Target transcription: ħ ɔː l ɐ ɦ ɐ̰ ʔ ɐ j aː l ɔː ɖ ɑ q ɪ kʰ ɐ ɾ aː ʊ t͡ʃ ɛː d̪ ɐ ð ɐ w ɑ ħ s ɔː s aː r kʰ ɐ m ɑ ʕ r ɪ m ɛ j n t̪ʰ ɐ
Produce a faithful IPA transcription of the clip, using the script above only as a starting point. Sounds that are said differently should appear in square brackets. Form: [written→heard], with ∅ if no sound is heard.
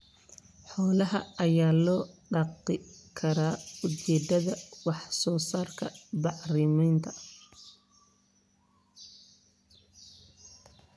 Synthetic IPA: ħ ɔː l ɐ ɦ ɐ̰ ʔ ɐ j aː l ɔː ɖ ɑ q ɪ kʰ ɐ ɾ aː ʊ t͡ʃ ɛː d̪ ɐ ð ɐ w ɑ ħ s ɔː s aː r kʰ ɐ [m→b] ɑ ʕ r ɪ m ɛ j n t̪ʰ ɐ